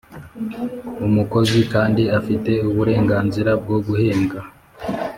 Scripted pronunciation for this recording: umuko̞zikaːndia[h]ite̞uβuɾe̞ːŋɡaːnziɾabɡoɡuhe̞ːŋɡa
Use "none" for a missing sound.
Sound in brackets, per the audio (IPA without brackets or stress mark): f